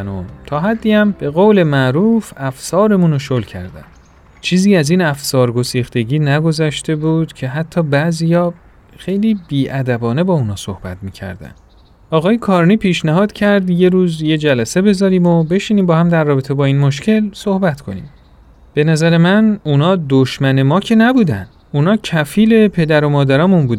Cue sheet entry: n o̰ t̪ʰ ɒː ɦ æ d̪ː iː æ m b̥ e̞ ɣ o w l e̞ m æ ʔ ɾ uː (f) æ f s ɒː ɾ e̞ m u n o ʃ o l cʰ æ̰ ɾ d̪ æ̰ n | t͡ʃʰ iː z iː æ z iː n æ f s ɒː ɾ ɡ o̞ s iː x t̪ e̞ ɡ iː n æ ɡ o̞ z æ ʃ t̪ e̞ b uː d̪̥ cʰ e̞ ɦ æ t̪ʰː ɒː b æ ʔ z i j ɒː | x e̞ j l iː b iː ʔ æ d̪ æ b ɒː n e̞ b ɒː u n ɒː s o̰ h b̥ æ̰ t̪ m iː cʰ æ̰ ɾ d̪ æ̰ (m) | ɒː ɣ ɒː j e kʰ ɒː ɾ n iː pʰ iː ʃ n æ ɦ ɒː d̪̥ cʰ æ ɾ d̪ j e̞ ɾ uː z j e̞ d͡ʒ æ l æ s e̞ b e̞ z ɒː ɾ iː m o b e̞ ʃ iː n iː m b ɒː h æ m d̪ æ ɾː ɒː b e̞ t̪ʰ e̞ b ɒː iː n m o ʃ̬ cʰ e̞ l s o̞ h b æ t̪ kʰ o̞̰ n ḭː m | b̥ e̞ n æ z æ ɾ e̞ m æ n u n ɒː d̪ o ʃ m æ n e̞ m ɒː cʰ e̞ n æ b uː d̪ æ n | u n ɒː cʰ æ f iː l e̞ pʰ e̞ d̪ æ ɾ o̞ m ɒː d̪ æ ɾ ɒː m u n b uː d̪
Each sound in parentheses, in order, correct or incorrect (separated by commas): correct, incorrect